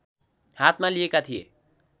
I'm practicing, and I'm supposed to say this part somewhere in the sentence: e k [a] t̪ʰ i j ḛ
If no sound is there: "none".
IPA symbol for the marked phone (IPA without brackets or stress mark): a